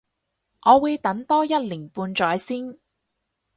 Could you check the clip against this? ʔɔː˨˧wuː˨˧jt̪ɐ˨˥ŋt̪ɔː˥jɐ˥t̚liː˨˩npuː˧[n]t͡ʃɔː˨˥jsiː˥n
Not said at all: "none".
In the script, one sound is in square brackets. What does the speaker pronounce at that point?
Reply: n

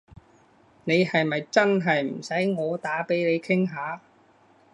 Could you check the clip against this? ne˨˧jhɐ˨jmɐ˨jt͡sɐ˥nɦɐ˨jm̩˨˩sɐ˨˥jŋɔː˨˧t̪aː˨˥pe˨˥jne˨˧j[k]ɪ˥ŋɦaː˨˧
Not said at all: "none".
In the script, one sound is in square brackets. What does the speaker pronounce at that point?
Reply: kʰ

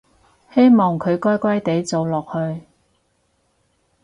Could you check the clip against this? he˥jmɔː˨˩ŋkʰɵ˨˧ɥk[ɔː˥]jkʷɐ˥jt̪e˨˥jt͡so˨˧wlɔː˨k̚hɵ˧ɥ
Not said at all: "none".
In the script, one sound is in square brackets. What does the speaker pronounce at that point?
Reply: ɔː˥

